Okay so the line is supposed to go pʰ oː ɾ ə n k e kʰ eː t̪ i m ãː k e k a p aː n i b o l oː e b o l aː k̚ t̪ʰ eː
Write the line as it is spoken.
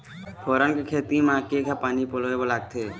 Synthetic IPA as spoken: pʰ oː ɾ ə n k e kʰ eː t̪ i m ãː k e k a p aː n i p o l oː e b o l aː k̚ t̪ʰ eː